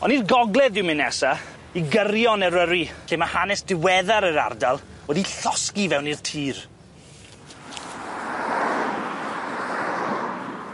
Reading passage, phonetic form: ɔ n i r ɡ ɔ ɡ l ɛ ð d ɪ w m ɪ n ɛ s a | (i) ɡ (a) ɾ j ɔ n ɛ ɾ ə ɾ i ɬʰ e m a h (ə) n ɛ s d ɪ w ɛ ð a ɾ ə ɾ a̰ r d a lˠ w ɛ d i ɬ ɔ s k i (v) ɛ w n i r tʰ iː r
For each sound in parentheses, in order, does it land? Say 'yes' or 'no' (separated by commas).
yes, no, no, yes